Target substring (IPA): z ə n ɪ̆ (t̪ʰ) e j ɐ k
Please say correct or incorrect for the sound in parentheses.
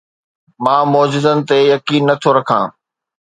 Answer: incorrect